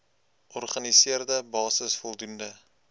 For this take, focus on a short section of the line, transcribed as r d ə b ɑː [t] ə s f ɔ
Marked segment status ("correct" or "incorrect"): incorrect